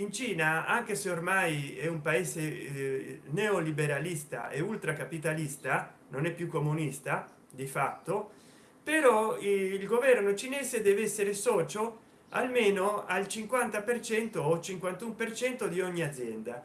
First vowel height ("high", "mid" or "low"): high